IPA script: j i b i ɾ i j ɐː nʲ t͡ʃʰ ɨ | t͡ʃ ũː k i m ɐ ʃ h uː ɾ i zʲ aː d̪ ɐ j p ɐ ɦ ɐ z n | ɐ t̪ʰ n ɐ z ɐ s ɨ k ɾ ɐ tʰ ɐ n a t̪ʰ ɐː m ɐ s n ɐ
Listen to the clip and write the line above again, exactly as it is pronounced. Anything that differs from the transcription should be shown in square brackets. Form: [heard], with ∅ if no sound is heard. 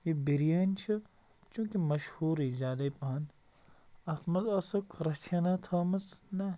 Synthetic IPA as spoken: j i b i ɾ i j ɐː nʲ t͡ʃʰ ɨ | t͡ʃ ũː k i m ɐ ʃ h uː ɾ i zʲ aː d̪ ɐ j p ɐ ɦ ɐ [∅] n | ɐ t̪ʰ [m] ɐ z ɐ s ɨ k ɾ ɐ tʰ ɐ n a t̪ʰ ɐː m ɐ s n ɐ

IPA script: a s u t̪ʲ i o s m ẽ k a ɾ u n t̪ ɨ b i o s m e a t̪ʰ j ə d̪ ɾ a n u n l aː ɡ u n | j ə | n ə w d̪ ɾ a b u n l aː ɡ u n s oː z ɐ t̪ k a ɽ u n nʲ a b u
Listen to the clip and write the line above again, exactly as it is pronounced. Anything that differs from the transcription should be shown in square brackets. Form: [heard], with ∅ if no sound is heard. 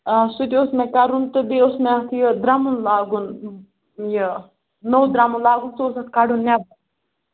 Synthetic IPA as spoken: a s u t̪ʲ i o s m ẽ k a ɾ u n t̪ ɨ b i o s m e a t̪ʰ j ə d̪ ɾ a [m] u n l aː ɡ u n | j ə | n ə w d̪ ɾ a [m] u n l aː ɡ u n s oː [s] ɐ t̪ k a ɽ u n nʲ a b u

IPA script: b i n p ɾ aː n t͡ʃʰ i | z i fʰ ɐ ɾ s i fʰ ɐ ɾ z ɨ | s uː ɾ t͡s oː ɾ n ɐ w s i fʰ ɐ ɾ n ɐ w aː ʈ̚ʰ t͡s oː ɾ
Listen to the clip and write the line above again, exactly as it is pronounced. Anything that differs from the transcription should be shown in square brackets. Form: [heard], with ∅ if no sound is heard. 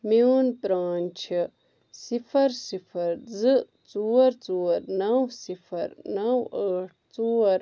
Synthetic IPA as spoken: [m] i n p ɾ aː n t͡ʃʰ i | [s] i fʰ ɐ ɾ s i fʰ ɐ ɾ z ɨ | [t͡s] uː ɾ t͡s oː ɾ n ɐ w s i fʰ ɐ ɾ n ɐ w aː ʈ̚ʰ t͡s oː ɾ

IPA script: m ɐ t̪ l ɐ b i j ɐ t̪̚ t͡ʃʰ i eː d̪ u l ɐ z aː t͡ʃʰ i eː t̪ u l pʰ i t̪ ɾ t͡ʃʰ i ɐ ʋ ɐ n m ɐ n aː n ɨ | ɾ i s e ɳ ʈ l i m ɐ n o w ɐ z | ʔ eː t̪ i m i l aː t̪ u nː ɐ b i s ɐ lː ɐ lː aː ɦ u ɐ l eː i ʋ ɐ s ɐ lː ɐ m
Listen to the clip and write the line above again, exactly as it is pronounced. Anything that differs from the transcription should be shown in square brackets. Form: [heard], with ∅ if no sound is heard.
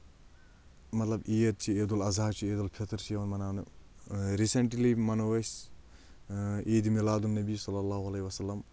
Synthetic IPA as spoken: m ɐ t̪ l ɐ b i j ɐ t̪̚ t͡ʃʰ i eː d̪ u l ɐ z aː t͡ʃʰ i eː [d̪] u l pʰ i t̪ ɾ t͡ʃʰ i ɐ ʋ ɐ n m ɐ n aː n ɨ | ɾ i s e ɳ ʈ l i m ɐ n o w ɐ [s] | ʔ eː [d̪] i m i l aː [d̪] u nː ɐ b i s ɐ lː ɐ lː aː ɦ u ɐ l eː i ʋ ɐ s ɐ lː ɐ m

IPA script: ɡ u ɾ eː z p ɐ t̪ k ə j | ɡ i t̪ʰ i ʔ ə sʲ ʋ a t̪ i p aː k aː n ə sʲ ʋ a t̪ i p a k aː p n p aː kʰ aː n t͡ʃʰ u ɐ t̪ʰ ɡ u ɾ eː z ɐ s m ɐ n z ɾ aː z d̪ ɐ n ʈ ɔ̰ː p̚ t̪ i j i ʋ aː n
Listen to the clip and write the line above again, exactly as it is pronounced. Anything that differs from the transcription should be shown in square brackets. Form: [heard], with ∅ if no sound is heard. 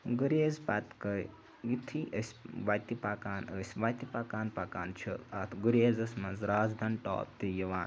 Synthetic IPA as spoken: ɡ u ɾ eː z p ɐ t̪ k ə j | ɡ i t̪ʰ i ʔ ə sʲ ʋ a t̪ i p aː k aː n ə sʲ ʋ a t̪ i p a k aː [∅] n p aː [k] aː n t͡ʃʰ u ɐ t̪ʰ ɡ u ɾ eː z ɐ s m ɐ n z ɾ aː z d̪ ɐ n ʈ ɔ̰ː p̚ t̪ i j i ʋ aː n

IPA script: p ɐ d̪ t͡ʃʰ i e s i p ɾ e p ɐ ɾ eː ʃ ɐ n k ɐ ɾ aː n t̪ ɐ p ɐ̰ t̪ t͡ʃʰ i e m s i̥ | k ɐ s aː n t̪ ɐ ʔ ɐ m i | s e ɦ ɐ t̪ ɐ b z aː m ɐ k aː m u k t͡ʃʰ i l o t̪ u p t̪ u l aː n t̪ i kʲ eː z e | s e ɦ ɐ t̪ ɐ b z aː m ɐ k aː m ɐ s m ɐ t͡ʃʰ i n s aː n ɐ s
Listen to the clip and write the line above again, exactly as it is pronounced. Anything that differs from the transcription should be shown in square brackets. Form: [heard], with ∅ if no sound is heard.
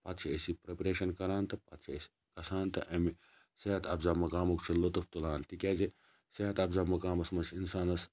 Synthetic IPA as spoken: p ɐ [t̪] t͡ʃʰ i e s i p ɾ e p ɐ ɾ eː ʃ ɐ n k ɐ ɾ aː n t̪ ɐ p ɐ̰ t̪ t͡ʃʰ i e [∅] s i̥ | k ɐ s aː n t̪ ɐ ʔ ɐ m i | s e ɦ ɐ t̪ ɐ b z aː m ɐ k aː m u k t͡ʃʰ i l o t̪ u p t̪ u l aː n t̪ i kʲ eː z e | s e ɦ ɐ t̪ ɐ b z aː m ɐ k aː m ɐ s m ɐ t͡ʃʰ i n s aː n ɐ s

